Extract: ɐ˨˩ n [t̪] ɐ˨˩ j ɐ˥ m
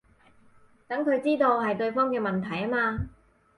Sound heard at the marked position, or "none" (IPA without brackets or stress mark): t̪ʰ